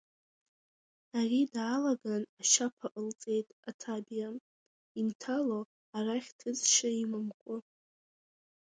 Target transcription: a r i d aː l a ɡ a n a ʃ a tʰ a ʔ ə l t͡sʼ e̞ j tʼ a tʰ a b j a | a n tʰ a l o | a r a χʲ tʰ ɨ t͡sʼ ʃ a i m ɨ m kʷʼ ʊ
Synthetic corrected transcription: a r i d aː l a ɡ a n a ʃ a pʰ a ʔ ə l t͡sʼ e̞ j tʼ a tʰ a b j a | i n tʰ a l o | a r a χʲ tʰ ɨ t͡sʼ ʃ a i m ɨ m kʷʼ ʊ